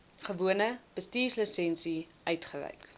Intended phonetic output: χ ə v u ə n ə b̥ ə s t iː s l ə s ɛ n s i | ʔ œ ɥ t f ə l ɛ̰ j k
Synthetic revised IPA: χ ə v u ə n ə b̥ ə s t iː s l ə s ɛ n s i | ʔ œ ɥ t χ ə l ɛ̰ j k

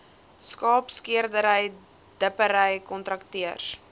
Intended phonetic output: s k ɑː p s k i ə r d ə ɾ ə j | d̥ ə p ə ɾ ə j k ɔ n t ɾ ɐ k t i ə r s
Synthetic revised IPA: s k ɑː p s k i ə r d ə ɾ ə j | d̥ ə p ə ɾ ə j k ɔ n t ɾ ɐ k t i ə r s

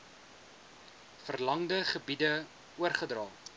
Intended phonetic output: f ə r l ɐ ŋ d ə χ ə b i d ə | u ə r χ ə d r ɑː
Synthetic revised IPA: f ə r l ɐ ŋ d ə χ ə b i d ə | u ə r χ ə d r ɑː

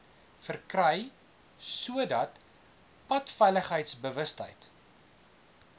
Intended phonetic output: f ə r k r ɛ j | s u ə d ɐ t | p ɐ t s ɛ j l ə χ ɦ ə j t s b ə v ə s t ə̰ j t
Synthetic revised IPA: f ə r k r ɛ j | s u ə d ɐ t | p ɐ t f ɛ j l ə χ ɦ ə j t s b ə v ə s t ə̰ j t

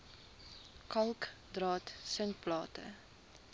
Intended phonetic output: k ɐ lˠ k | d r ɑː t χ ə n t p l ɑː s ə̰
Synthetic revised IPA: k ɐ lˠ k | d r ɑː t s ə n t p l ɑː t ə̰

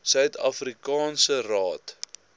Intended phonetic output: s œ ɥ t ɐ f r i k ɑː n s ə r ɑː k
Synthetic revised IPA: s œ ɥ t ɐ f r i k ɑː n s ə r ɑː t

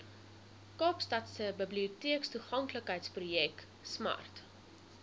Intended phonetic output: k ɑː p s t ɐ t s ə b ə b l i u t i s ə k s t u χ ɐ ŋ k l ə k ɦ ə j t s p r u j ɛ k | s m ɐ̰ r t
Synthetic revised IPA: k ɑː p s t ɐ t s ə b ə b l i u t i ə k s t u χ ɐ ŋ k l ə k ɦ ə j t s p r u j ɛ k | s m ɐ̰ r t

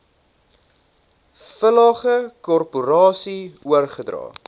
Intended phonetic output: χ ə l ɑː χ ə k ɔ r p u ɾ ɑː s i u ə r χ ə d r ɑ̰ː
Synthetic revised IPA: f ə l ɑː χ ə k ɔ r p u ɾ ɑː s i u ə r χ ə d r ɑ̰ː

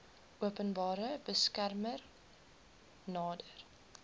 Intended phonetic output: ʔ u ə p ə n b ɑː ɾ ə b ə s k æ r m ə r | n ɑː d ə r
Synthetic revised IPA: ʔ u ə p ə n b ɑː ɾ ə b ə s k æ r m ə r | n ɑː d ə r

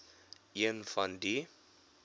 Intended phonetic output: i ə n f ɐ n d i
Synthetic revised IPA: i ə n f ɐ n d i

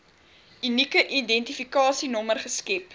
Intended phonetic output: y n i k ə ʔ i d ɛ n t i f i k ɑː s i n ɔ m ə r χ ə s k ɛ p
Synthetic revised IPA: y n i k ə ʔ i d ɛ n t i f i k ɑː s i n ɔ m ə r χ ə s k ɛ p

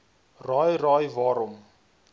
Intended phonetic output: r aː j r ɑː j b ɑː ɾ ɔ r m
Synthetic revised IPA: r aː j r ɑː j v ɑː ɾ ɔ m

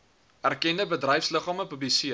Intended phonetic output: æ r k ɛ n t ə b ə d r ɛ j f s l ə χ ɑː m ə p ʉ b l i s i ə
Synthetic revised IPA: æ r k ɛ n d ə b ə d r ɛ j f s l ə χ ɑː m ə p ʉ b l i s i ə

